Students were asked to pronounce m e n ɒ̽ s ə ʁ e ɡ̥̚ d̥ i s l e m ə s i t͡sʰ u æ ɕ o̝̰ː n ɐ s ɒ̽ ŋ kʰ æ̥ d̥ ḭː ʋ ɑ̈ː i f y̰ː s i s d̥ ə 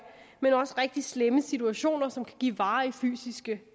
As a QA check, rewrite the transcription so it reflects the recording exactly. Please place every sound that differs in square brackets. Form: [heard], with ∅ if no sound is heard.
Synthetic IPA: m e n ɒ̽ s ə ʁ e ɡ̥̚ d̥ i s l e m ə s i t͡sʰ u æ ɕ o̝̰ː n ɐ s ɒ̽ [m] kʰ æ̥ [ɡ̥] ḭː ʋ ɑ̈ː i f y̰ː s i s [ɡ̥] ə